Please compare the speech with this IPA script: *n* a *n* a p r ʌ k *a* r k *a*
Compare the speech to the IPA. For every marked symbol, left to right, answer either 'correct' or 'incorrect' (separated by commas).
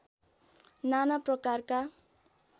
correct, correct, correct, correct